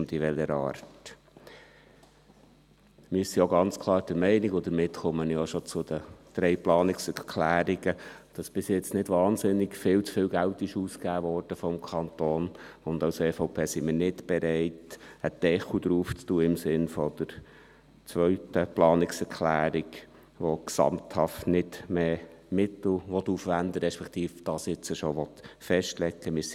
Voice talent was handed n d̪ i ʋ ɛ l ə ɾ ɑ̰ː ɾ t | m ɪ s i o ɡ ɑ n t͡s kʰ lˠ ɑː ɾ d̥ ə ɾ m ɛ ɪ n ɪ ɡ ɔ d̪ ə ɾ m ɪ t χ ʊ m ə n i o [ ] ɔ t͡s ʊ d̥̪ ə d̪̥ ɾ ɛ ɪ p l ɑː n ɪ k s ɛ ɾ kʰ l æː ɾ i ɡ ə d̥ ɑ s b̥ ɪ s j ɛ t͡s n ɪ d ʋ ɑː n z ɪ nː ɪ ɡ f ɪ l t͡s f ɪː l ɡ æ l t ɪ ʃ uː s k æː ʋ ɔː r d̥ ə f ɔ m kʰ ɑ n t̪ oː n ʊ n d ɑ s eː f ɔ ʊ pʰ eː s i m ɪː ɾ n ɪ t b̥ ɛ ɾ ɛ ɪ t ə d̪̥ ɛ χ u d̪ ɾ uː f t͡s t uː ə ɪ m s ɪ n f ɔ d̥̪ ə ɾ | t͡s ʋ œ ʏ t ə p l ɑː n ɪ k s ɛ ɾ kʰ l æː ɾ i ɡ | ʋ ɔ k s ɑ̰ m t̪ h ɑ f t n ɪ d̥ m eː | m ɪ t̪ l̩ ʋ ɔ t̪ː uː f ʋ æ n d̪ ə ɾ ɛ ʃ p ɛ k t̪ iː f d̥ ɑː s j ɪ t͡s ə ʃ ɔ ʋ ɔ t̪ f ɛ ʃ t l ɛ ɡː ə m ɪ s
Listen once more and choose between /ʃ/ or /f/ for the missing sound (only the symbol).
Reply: ʃ